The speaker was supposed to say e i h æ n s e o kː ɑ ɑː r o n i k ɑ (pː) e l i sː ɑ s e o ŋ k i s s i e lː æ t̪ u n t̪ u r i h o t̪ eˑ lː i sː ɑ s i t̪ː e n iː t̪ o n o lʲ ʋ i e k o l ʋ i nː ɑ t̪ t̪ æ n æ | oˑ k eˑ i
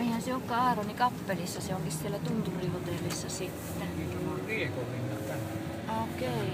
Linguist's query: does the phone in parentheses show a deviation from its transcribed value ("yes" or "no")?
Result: no